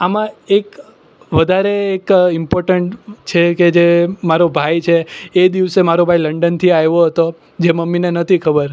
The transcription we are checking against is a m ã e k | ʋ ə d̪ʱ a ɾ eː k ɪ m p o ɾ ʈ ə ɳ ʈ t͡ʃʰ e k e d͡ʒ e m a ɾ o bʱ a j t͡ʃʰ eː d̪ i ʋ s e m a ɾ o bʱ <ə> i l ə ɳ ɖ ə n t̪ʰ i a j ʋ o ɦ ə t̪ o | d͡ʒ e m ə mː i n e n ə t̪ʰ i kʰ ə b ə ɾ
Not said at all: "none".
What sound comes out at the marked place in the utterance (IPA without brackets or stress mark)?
a